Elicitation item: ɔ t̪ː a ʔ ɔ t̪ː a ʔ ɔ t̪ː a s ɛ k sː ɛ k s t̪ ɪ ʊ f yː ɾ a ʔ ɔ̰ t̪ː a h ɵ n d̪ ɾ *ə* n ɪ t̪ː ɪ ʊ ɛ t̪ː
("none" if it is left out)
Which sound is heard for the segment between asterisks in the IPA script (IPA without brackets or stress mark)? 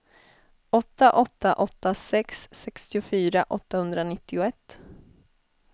a